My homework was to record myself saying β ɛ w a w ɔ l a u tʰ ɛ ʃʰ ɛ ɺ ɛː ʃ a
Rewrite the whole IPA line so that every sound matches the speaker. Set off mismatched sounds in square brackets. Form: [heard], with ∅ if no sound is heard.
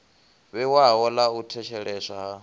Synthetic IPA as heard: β ɛ w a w ɔ l a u tʰ ɛ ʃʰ ɛ ɺ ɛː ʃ a